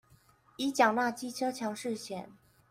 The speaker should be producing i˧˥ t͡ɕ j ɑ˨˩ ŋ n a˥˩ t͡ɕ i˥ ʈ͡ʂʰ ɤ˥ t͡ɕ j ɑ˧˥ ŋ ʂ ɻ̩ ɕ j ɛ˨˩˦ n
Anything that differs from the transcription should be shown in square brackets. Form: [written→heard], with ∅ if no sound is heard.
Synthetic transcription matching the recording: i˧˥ t͡ɕ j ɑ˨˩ ŋ n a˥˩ t͡ɕ i˥ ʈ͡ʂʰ ɤ˥ [t͡ɕ→t͡ɕʰ] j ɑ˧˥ ŋ ʂ ɻ̩ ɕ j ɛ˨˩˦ n

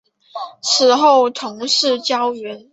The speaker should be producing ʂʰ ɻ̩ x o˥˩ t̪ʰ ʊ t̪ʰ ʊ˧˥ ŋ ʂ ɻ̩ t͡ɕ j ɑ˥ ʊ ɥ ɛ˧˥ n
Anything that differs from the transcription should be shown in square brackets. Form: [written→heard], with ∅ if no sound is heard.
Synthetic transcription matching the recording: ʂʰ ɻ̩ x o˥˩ [t̪ʰ→∅] ʊ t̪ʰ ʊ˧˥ ŋ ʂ ɻ̩ t͡ɕ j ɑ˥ ʊ ɥ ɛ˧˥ n

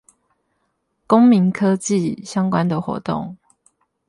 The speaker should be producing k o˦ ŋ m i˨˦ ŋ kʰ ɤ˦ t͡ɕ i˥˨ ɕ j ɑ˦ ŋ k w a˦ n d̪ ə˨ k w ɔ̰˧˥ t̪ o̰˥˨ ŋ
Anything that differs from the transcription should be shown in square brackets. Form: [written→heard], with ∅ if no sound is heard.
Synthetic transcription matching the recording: k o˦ ŋ m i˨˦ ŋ kʰ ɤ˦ t͡ɕ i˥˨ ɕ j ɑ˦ ŋ k w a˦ n d̪ ə˨ [k→x] w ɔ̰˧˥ t̪ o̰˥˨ ŋ

